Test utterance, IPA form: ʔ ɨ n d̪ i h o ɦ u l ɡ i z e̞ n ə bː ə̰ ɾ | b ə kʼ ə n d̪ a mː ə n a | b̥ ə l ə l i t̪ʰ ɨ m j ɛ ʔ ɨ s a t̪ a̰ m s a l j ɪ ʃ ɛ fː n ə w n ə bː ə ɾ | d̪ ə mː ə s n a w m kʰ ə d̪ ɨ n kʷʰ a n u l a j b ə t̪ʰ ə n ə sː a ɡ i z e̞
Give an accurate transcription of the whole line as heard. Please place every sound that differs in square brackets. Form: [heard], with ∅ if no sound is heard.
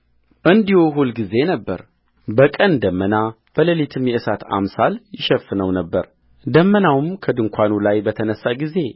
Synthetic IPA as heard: ʔ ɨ n d̪ i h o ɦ u l ɡ i z e̞ n ə bː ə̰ ɾ | b ə kʼ ə n d̪ [ə] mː ə n a | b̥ ə l ə l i t̪ʰ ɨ m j ɛ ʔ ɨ s a t̪ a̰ m s a l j ɪ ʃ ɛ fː n ə w n ə bː ə ɾ | d̪ ə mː ə [∅] n a w m kʰ ə d̪ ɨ [ŋ] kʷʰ a n u l a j b ə t̪ʰ ə n ə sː a ɡ i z e̞